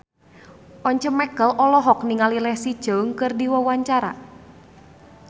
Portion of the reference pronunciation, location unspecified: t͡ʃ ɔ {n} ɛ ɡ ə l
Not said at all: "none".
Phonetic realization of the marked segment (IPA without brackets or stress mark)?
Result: m